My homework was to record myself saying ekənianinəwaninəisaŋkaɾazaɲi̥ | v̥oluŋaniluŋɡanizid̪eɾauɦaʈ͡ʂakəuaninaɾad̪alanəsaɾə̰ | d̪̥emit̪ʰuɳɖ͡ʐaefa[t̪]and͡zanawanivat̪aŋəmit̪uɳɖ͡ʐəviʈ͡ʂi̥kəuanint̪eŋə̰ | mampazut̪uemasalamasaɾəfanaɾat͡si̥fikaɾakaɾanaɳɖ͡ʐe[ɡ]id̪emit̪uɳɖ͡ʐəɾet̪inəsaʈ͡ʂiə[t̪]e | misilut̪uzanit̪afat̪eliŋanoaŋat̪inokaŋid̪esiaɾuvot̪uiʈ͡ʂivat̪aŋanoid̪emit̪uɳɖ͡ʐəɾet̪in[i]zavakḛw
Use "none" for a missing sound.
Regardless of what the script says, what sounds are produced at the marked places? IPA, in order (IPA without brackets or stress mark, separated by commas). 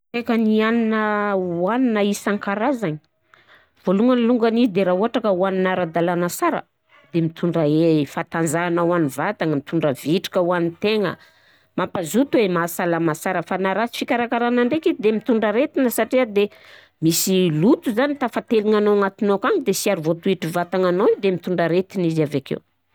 t̪, k, d̪, i